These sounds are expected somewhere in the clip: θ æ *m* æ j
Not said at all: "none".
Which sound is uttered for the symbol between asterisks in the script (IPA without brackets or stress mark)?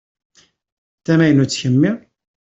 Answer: m